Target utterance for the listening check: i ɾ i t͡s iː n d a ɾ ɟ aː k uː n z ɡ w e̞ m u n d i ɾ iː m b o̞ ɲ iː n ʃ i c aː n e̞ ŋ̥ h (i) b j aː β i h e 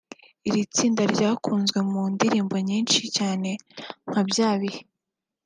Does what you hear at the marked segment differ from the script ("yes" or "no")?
yes